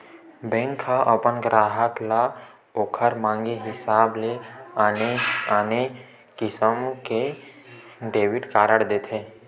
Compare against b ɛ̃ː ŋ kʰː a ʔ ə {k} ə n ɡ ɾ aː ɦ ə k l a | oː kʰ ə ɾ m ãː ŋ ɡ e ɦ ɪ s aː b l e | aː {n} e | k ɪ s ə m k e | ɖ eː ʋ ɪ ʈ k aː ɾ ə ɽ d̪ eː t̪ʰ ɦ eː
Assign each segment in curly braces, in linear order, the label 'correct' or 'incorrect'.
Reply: incorrect: p, correct

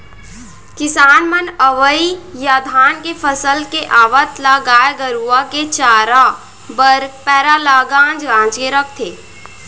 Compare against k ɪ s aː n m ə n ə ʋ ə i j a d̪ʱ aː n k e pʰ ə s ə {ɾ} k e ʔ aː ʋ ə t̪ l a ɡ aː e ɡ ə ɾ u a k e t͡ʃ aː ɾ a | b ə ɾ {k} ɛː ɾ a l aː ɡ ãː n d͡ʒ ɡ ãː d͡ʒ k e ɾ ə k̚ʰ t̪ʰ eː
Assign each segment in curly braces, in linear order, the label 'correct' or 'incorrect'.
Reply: incorrect: l, incorrect: p

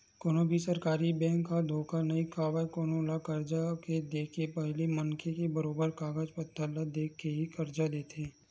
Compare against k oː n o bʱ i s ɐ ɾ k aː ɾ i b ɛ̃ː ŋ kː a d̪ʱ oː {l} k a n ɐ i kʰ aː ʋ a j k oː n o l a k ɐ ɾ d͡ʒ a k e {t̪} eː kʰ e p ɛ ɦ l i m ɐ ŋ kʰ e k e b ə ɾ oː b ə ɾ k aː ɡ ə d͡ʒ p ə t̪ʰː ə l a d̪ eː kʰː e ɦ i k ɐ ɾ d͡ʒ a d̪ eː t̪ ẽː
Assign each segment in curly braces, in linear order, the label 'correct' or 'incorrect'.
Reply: incorrect: none, incorrect: d̪

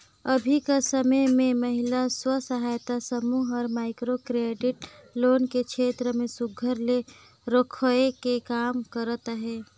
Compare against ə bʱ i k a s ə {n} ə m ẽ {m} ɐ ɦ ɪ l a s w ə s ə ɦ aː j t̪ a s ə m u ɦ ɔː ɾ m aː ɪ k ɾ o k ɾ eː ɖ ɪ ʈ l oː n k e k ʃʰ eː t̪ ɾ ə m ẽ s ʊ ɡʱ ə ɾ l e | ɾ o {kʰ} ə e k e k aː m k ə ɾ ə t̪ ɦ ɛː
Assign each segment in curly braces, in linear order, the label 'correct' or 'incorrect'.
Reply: incorrect: m, correct, correct

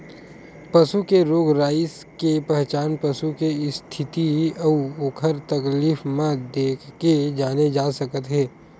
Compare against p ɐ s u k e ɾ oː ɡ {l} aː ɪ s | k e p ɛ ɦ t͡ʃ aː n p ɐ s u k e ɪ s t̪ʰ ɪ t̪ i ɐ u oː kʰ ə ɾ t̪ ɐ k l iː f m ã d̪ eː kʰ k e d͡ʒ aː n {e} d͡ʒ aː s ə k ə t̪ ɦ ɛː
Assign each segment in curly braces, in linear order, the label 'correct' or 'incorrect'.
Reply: incorrect: ɾ, correct

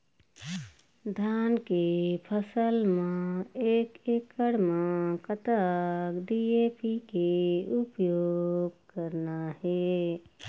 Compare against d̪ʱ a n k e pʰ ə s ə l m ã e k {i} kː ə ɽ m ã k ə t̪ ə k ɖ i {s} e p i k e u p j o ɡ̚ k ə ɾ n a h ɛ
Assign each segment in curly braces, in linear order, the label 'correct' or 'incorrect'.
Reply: incorrect: e, incorrect: none

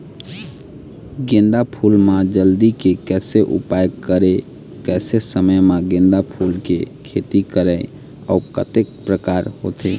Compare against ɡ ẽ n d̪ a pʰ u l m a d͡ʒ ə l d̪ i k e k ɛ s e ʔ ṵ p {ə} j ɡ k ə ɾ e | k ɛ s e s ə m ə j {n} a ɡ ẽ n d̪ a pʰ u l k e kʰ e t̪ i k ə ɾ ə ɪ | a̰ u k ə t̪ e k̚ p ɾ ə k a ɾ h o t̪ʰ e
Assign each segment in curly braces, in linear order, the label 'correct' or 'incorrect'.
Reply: incorrect: a, incorrect: m

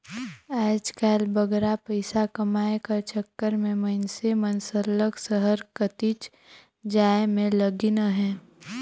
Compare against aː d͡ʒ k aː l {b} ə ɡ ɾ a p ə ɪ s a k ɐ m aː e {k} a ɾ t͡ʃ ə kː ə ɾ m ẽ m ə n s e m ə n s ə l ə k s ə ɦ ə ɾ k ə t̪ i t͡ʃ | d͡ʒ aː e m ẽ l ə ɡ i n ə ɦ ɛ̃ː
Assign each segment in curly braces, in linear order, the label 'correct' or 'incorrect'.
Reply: correct, correct

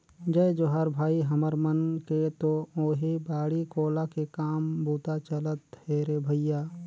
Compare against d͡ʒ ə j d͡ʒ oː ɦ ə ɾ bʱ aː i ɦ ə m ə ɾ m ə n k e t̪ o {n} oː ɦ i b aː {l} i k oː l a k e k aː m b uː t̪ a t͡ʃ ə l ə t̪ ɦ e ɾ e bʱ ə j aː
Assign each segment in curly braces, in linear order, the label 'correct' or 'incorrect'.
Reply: incorrect: none, incorrect: ɽ

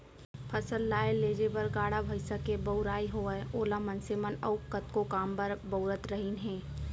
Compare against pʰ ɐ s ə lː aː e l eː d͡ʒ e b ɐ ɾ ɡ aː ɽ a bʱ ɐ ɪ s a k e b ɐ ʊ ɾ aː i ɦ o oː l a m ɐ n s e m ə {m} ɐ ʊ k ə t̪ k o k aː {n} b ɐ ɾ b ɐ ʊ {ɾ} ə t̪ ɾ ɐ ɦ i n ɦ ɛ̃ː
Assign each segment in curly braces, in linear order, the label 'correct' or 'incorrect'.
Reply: incorrect: n, incorrect: m, correct

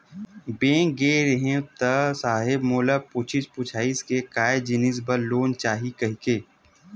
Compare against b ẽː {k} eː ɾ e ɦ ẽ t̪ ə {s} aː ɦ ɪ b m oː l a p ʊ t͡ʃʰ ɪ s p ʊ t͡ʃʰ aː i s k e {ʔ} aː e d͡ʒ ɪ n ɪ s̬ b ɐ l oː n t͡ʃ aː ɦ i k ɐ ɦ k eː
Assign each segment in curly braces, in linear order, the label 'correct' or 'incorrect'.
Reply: incorrect: ɡ, correct, incorrect: k

